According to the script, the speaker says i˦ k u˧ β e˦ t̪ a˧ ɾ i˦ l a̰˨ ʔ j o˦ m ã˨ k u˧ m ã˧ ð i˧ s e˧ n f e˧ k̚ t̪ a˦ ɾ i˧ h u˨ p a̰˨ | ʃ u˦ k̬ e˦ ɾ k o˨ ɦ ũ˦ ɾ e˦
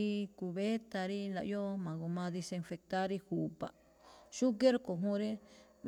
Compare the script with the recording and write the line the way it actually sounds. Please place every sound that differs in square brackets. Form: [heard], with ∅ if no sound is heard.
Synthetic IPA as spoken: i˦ k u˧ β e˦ t̪ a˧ ɾ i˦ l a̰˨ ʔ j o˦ m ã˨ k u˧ m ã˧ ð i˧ s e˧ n f e˧ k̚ t̪ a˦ ɾ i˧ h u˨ p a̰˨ | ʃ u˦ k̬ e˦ ɾ k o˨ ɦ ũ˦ ɾ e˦